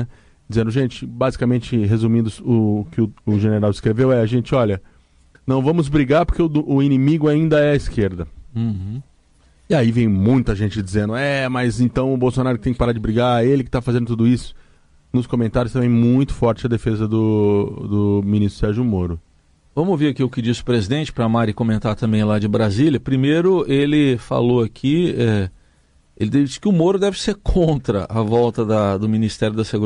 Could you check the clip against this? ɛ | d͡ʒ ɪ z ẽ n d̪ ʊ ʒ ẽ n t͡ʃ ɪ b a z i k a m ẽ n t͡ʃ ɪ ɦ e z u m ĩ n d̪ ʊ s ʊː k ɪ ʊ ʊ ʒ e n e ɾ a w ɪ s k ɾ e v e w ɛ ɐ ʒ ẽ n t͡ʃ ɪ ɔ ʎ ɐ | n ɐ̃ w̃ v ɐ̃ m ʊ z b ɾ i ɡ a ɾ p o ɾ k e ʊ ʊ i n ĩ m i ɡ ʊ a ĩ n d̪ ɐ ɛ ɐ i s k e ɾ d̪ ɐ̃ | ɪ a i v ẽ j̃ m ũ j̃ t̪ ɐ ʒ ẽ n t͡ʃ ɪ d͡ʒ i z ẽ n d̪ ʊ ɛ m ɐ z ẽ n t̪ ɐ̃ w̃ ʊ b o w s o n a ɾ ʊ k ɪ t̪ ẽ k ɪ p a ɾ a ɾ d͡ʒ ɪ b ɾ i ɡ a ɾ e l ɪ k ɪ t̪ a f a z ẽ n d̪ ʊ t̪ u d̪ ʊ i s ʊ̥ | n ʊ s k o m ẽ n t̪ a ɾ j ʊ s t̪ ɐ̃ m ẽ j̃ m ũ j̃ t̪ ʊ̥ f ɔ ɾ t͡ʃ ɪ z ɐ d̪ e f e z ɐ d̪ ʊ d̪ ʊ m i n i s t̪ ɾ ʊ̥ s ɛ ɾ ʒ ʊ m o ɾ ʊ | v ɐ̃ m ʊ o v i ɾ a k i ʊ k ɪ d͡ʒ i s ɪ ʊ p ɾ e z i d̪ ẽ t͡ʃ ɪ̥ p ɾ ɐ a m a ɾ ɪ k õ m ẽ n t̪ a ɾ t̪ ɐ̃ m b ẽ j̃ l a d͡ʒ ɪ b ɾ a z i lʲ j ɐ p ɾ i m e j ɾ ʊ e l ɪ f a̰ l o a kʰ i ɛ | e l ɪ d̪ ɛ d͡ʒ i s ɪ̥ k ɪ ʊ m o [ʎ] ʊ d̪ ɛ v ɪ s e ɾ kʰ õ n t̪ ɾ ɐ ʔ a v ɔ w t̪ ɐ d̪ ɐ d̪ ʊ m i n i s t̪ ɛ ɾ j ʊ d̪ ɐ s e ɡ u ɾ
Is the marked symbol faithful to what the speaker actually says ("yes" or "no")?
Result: no